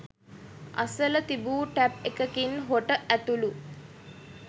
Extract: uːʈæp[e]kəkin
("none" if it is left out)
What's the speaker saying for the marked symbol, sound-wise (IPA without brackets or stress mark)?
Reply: e